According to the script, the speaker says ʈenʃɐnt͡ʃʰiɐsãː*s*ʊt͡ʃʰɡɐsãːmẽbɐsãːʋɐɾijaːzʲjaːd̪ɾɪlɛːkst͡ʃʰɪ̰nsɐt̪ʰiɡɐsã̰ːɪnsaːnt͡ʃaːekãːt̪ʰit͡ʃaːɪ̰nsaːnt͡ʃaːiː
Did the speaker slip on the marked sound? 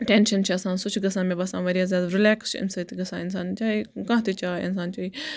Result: no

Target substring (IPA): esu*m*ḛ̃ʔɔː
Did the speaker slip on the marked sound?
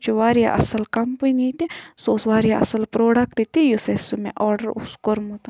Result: no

